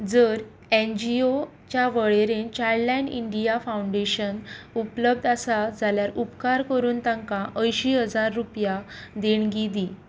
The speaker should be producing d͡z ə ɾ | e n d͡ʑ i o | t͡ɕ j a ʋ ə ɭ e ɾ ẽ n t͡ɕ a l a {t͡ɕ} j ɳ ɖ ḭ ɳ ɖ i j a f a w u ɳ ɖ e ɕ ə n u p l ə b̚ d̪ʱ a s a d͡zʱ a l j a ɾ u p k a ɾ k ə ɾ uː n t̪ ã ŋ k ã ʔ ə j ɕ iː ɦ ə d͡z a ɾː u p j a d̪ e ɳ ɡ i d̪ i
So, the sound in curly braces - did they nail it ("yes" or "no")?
no